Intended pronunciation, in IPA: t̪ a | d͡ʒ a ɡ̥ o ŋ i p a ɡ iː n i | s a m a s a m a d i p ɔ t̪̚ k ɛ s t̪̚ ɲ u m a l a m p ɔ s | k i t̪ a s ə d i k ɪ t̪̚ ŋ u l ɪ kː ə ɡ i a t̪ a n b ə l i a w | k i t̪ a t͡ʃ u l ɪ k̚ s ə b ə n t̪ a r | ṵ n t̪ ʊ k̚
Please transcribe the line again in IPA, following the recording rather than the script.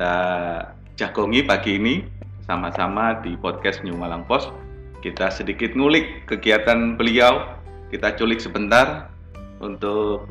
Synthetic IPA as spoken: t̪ a | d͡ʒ a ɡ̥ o ŋ i p a ɡ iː n i | s a m a s a m a d i p ɔ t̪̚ k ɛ s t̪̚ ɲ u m a l a ŋ p ɔ s | k i t̪ a s ə d i k ɪ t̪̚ ŋ u l ɪ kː ə ɡ i a t̪ a n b ə l i a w | k i t̪ a t͡ʃ u l ɪ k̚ s ə b ə n t̪ a r | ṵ n t̪ ʊ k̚